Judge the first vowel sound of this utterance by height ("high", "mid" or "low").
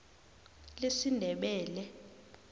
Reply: mid